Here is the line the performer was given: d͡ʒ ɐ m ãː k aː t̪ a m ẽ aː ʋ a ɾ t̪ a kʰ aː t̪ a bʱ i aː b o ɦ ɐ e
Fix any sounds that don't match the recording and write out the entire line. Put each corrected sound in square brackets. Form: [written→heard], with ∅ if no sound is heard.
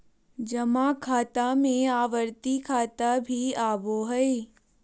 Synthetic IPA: d͡ʒ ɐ m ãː [k→kʰ] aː t̪ a m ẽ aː ʋ [a→ə] ɾ t̪ [a→i] kʰ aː t̪ a bʱ i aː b o ɦ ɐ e